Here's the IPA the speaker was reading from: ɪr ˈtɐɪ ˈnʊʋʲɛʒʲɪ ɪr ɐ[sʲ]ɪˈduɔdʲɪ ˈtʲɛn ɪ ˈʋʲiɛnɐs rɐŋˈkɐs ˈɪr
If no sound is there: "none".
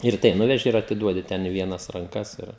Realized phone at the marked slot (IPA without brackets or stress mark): tʲ